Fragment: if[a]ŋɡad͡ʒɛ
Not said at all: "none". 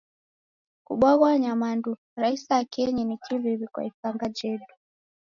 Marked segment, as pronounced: a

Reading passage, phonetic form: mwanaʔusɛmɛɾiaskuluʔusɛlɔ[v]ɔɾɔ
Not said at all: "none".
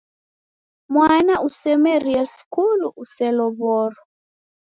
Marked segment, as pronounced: β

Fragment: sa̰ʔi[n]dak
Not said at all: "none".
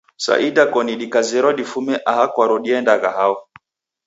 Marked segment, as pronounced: none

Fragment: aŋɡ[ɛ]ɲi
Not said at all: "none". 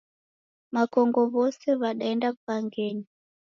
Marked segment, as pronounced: ɛ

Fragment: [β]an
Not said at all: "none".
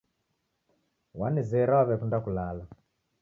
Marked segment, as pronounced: w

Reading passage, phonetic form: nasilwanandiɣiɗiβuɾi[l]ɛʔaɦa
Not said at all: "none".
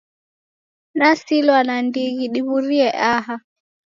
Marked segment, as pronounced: none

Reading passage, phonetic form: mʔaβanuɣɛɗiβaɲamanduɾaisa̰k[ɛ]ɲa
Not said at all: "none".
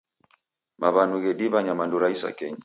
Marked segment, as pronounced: ɛ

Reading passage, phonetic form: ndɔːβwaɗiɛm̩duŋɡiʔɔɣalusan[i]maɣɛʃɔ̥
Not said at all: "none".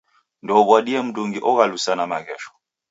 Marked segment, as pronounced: a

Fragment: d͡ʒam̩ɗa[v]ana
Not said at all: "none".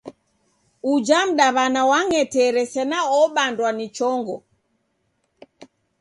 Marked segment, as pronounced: β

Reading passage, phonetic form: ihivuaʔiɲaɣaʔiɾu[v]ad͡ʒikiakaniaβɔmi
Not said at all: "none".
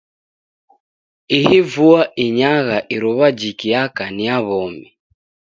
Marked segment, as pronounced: β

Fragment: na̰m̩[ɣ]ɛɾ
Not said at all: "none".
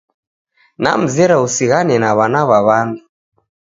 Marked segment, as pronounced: z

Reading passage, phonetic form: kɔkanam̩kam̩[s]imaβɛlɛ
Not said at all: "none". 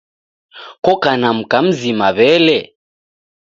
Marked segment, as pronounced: z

